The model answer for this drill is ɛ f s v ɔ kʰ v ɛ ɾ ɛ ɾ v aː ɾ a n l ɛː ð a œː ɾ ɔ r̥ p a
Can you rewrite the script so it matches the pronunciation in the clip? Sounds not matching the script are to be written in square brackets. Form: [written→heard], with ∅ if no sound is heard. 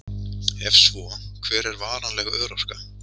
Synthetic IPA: ɛ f s v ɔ kʰ v [ɛ→ɛː] ɾ ɛ ɾ v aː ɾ a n l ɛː [ð→ɣ] a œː ɾ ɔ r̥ [p→k] a